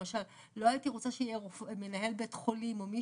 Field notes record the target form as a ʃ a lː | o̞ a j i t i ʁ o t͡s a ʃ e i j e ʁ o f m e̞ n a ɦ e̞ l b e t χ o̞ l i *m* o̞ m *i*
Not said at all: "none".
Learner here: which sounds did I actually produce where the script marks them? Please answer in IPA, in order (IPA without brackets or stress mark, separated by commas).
m, i